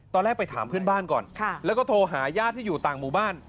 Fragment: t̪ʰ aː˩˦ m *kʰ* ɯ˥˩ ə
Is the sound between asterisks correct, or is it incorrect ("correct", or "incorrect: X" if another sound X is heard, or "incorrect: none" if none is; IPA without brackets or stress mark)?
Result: incorrect: pʰ